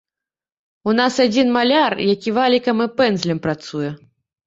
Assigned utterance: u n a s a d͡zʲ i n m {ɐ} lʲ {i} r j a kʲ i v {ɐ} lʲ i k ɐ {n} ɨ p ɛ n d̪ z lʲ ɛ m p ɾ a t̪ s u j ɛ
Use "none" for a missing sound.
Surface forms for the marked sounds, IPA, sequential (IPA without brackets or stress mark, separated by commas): a, a, a, m